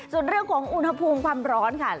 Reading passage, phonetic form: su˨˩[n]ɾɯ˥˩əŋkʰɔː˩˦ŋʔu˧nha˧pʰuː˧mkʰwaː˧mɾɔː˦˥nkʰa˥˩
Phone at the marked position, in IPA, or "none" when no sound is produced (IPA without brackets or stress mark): n